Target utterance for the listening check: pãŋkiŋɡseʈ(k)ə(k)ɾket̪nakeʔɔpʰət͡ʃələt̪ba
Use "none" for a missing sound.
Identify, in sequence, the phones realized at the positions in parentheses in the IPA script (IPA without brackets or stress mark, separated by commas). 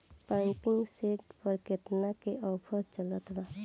p, none